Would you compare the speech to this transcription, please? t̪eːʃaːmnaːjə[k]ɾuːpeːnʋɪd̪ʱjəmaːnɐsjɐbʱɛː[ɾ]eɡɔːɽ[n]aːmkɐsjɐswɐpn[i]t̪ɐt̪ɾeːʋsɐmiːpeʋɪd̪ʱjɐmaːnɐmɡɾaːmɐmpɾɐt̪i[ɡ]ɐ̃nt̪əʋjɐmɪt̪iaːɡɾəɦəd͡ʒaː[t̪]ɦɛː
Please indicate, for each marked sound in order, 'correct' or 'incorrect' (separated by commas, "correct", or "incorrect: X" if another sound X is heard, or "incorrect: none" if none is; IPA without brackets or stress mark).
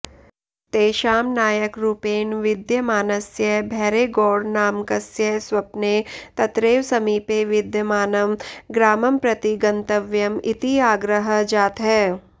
correct, correct, correct, incorrect: e, correct, correct